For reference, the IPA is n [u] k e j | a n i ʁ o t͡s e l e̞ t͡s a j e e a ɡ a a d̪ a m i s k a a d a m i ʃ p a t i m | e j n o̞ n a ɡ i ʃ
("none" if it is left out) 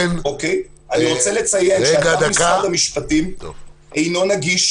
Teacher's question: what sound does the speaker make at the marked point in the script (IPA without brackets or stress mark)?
o